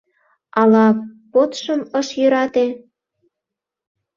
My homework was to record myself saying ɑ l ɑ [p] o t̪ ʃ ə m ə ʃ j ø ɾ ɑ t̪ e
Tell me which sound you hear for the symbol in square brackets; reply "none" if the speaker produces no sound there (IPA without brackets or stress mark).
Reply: p